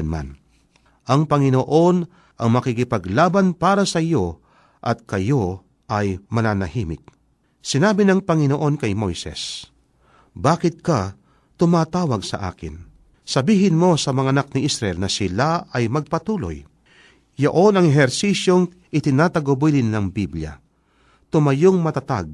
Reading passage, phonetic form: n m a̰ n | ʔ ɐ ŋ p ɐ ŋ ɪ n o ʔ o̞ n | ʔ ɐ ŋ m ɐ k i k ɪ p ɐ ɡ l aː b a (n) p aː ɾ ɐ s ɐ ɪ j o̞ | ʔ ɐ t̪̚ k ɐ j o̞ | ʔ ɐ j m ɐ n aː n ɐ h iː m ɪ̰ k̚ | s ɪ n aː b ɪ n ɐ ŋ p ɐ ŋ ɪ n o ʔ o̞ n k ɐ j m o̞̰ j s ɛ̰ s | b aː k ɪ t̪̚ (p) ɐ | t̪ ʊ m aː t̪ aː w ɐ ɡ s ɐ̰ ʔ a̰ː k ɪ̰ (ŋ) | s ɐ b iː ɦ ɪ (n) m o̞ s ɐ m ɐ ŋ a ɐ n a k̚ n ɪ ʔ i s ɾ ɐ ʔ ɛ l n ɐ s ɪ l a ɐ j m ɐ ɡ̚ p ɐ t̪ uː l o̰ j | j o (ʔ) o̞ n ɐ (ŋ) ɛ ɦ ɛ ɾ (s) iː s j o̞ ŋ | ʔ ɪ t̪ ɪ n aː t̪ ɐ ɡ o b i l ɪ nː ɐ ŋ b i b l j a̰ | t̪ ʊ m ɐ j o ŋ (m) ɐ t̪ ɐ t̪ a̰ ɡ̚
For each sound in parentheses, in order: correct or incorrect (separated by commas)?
correct, incorrect, incorrect, correct, correct, correct, correct, correct